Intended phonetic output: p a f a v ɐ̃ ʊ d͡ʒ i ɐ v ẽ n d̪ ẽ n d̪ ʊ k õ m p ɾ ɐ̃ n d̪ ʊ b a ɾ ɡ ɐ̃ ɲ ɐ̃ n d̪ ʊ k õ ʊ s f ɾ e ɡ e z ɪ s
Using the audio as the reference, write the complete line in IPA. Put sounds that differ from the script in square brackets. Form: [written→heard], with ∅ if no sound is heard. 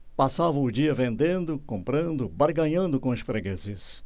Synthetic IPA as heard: p a [f→s] a v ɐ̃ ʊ d͡ʒ i ɐ v ẽ n d̪ ẽ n d̪ ʊ k õ m p ɾ ɐ̃ n d̪ ʊ b a ɾ ɡ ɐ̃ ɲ ɐ̃ n d̪ ʊ k õ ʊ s f ɾ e ɡ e z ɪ s

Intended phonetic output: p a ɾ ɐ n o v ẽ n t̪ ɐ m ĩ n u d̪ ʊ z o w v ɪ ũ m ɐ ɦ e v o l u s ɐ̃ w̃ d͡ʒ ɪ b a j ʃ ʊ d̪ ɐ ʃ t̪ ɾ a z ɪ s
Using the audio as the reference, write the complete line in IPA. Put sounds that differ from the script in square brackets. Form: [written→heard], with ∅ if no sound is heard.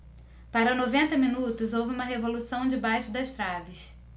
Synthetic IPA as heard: p a ɾ ɐ n o v ẽ n t̪ ɐ m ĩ n u [d̪→t̪] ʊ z o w v ɪ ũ m ɐ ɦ e v o l u s ɐ̃ w̃ d͡ʒ ɪ b a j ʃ ʊ d̪ ɐ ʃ t̪ ɾ a [z→v] ɪ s

